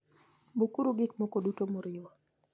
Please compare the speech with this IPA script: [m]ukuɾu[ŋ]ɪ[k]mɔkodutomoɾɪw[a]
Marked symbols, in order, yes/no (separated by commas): no, no, yes, yes